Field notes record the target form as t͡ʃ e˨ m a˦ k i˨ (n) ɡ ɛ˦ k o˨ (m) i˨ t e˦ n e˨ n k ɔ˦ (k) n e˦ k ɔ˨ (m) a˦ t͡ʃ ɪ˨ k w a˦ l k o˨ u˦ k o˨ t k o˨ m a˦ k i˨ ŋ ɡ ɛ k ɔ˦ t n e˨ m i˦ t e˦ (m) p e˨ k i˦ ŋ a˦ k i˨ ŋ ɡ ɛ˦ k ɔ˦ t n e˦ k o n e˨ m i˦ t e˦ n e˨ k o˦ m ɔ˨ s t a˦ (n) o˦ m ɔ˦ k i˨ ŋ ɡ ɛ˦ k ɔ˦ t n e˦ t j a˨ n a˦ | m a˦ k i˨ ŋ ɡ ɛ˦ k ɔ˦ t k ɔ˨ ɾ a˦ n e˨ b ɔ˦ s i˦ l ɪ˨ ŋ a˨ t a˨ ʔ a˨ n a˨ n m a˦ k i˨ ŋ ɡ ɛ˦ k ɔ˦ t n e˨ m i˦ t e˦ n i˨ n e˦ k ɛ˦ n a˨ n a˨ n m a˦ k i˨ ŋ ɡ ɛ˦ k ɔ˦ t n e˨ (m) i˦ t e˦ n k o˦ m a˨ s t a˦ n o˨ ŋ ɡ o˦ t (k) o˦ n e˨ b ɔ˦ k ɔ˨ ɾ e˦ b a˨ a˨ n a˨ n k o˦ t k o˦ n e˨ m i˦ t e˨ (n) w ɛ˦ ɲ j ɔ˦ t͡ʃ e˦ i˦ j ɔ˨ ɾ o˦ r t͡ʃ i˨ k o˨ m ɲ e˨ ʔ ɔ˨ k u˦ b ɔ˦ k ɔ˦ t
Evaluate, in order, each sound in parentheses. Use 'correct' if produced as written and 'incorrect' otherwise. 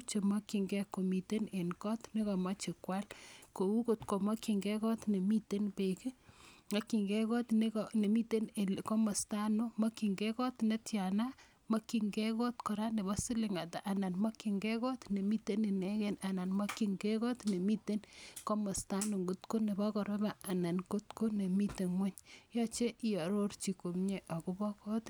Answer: incorrect, correct, incorrect, correct, incorrect, correct, correct, correct, incorrect

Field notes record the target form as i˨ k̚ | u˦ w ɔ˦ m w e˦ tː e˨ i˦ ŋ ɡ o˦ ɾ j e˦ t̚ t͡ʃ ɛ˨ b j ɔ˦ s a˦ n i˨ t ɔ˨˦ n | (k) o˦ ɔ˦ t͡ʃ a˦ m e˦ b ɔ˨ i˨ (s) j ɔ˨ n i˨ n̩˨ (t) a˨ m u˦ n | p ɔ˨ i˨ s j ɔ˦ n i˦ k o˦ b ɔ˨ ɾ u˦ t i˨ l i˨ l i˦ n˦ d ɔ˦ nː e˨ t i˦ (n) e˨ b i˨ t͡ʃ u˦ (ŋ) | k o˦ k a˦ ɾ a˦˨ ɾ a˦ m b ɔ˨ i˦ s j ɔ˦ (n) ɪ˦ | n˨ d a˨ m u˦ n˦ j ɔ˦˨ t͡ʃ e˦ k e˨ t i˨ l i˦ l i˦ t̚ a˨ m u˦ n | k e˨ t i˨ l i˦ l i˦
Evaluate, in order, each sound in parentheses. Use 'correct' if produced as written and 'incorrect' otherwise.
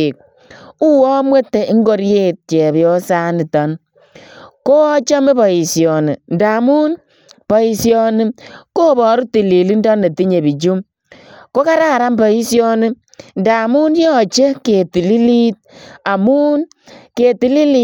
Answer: correct, correct, incorrect, incorrect, incorrect, correct

